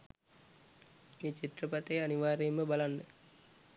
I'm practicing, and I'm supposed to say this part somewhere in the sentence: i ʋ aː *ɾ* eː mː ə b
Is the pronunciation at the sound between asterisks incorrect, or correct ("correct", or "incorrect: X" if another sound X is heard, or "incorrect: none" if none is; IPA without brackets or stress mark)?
correct